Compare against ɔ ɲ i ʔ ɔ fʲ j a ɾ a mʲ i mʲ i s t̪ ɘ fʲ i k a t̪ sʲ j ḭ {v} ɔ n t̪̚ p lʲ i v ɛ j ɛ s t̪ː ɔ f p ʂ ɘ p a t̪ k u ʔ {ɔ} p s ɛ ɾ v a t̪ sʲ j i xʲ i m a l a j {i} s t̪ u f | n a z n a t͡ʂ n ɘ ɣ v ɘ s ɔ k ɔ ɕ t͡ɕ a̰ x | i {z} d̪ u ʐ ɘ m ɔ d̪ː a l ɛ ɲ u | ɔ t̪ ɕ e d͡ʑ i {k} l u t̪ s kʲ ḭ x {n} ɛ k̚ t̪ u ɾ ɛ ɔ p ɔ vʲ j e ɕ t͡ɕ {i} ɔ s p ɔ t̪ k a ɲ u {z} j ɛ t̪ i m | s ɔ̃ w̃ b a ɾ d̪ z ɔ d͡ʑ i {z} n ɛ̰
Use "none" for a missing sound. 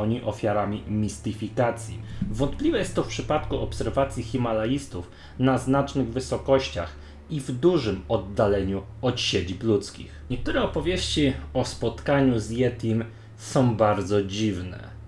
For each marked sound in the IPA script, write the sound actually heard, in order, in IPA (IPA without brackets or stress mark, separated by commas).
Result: v, ɔ, i, v, p, ɲ, i, z, v